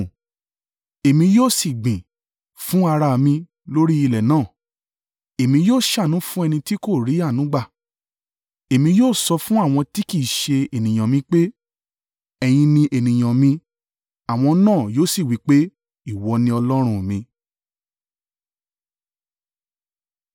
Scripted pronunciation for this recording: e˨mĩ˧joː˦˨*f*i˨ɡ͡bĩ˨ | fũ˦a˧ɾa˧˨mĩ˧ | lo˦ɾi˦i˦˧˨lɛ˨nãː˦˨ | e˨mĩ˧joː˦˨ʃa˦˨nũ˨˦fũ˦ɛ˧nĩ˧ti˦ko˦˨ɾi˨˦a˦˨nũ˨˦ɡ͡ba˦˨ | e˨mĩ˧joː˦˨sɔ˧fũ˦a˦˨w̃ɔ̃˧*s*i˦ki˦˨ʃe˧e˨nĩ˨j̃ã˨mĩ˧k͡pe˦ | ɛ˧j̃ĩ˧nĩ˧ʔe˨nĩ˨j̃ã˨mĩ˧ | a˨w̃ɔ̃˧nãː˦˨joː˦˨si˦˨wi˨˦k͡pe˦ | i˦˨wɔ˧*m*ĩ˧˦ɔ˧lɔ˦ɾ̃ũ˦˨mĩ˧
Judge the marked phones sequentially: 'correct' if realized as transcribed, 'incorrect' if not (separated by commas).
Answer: incorrect, incorrect, incorrect